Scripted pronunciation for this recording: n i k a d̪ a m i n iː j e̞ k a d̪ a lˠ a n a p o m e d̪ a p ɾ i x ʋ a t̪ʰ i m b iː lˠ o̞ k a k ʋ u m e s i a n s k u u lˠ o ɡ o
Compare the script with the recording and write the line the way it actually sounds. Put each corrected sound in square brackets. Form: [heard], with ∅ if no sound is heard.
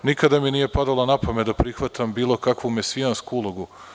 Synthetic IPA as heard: n i k a d̪ a m i n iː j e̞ [p] a d̪ a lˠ a n a p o m e d̪ a p ɾ i x ʋ a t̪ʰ [a] m b iː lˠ o̞ k a k ʋ u m e s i a n s k u u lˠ o ɡ [u]